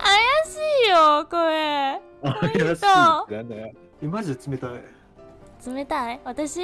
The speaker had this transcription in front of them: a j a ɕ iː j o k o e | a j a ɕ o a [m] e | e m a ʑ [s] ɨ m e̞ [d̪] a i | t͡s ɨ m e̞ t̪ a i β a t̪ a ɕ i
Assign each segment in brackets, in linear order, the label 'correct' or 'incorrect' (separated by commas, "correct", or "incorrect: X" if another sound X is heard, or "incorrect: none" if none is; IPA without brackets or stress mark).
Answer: incorrect: n, incorrect: t͡s, incorrect: t̪